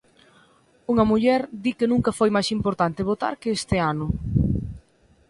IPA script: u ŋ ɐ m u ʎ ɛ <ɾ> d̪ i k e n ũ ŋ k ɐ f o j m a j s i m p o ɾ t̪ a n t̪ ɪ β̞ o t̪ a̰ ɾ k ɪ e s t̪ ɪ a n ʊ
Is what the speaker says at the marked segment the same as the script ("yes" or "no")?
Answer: yes